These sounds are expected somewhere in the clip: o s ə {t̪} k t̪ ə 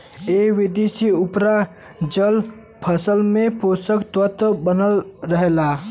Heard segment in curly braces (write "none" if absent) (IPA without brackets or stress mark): none